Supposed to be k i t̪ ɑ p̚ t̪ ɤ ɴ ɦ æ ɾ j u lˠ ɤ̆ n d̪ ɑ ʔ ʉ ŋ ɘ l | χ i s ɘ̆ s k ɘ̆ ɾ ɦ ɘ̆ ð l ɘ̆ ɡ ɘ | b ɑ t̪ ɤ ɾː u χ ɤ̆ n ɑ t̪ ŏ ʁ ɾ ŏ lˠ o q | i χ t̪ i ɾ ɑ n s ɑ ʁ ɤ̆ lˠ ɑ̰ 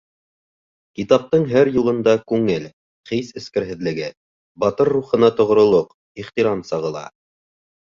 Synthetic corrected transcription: k i t̪ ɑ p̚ t̪ ɤ ɴ ɦ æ ɾ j u lˠ ɤ̆ n d̪ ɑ k ʉ ŋ ɘ l | χ i s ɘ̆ s k ɘ̆ ɾ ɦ ɘ̆ ð l ɘ̆ ɡ ɘ | b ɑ t̪ ɤ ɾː u χ ɤ̆ n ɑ t̪ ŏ ʁ ɾ ŏ lˠ o q | i χ t̪ i ɾ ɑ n s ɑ ʁ ɤ̆ lˠ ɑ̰

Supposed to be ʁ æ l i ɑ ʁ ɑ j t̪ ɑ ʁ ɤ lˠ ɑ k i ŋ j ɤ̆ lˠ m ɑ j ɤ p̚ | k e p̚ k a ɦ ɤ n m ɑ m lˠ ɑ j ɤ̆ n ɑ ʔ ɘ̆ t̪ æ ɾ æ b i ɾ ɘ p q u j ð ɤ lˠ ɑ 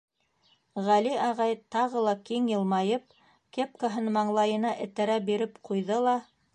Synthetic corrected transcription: ʁ æ l i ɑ ʁ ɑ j t̪ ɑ ʁ ɤ lˠ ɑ k i ŋ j ɤ̆ lˠ m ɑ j ɤ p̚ | k e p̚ k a ɦ ɤ n m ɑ ɴ lˠ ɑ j ɤ̆ n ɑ ʔ ɘ̆ t̪ æ ɾ æ b i ɾ ɘ p q u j ð ɤ lˠ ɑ

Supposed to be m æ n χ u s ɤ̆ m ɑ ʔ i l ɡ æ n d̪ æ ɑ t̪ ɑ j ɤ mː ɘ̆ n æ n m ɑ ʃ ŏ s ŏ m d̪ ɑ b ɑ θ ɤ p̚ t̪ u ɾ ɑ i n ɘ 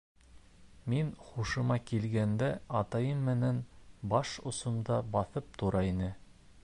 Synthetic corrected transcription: m i n χ u ʃ ɤ̆ m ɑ k i l ɡ æ n d̪ æ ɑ t̪ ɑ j ɤ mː ɘ̆ n æ n b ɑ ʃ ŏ s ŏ m d̪ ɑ b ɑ θ ɤ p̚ t̪ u ɾ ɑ i n ɘ

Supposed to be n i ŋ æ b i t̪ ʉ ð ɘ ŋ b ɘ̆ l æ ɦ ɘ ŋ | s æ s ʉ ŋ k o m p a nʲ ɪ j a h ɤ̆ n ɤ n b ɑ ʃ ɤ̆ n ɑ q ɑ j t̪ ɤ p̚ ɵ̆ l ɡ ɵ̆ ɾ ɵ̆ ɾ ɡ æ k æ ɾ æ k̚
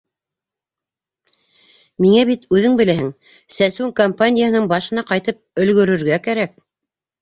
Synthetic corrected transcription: m i ŋ æ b i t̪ ʉ ð ɘ ŋ b ɘ̆ l æ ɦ ɘ ŋ | s æ s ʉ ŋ k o m p a nʲ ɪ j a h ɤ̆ n ɤ ɴ b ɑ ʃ ɤ̆ n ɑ q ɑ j t̪ ɤ p̚ ɵ̆ l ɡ ɵ̆ ɾ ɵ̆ ɾ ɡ æ k æ ɾ æ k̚

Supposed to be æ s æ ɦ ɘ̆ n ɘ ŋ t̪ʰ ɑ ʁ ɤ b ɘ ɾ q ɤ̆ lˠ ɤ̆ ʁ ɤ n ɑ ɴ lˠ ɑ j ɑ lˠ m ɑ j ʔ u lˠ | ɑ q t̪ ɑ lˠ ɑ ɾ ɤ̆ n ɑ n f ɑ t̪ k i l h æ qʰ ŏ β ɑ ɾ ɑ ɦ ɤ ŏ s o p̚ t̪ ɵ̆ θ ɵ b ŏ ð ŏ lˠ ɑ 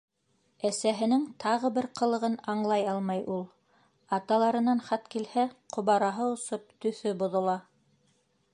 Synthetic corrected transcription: æ s æ ɦ ɘ̆ n ɘ ŋ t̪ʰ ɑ ʁ ɤ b ɘ ɾ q ɤ̆ lˠ ɤ̆ ʁ ɤ n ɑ ɴ lˠ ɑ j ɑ lˠ m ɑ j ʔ u lˠ | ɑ t̪ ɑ lˠ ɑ ɾ ɤ̆ n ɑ n χ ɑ t̪ k i l h æ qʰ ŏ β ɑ ɾ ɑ ɦ ɤ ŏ s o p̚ t̪ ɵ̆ θ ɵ b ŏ ð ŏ lˠ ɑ

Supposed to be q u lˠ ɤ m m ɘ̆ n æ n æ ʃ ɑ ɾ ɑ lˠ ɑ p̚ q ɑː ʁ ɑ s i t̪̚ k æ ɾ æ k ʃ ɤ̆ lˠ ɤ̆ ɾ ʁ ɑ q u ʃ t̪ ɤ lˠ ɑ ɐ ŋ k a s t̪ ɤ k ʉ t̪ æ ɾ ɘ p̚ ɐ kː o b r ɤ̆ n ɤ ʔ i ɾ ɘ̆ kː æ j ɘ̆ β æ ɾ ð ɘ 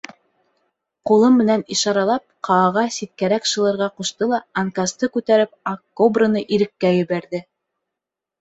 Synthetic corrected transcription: q u lˠ ɤ m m ɘ̆ n æ n i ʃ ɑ ɾ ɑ lˠ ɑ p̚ q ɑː ʁ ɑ s i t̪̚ k æ ɾ æ k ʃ ɤ̆ lˠ ɤ̆ ɾ ʁ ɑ q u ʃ t̪ ɤ lˠ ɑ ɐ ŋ k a s t̪ ɤ k ʉ t̪ æ ɾ ɘ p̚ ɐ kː o b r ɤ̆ n ɤ ʔ i ɾ ɘ̆ kː æ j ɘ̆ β æ ɾ ð ɘ

